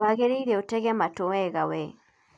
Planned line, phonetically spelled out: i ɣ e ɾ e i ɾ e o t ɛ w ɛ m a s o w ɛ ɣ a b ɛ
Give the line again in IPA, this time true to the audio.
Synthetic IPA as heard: a ɣ e ɾ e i ɾ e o t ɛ ɣ ɛ m a t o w ɛ ɣ a w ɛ